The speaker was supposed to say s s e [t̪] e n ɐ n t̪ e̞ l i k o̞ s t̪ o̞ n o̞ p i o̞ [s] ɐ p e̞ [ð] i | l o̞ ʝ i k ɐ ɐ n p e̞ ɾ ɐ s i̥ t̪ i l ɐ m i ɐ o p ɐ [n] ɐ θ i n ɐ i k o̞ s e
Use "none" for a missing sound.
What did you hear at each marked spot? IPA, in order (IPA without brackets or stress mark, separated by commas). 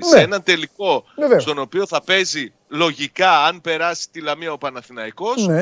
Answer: none, θ, z, n